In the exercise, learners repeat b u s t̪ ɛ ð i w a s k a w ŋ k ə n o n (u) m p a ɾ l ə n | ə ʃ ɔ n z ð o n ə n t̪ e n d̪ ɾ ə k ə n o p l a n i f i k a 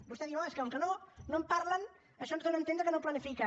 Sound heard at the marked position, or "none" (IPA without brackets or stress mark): o